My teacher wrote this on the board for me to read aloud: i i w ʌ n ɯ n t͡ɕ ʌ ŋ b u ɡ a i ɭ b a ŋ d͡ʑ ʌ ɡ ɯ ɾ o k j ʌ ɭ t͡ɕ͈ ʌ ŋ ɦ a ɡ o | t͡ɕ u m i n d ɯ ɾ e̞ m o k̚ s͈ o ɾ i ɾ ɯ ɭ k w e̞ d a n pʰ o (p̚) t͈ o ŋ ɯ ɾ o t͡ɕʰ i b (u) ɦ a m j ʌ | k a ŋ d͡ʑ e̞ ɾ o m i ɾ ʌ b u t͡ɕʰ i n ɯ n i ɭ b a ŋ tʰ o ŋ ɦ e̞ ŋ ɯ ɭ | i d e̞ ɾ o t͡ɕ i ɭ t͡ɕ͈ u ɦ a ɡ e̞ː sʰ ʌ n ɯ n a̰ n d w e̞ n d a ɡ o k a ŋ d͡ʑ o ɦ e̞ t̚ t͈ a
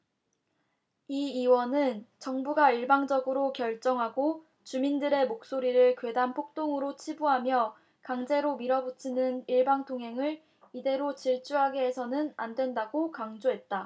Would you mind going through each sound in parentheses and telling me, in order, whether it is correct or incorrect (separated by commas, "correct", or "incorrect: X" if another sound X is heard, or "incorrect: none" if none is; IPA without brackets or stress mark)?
incorrect: k̚, correct